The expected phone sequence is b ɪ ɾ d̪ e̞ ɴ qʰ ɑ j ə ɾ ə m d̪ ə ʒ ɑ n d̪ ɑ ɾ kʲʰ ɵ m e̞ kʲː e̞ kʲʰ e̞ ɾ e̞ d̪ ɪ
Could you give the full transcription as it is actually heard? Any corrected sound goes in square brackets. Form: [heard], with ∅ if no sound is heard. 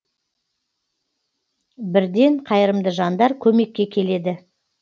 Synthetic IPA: b ɪ ɾ d̪ e̞ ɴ qʰ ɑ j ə ɾ ə m d̪ ə ʒ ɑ n d̪ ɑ ɾ kʲʰ ɵ m e̞ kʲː e̞ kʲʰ e̞ [l] e̞ d̪ ɪ